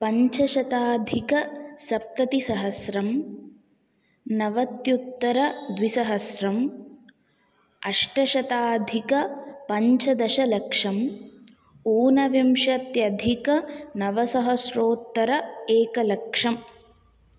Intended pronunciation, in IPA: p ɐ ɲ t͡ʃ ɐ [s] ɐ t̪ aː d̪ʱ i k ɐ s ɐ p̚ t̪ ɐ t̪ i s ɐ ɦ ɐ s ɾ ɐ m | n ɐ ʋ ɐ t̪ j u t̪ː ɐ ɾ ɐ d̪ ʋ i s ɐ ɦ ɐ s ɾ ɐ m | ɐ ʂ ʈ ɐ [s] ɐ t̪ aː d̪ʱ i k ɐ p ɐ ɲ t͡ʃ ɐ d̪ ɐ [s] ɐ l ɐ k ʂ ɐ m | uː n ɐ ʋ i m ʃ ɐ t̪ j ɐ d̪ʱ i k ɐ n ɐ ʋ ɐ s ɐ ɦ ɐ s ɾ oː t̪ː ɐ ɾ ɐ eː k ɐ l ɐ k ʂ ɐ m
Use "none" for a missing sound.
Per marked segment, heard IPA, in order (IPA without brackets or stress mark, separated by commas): ʃ, ʃ, ʃ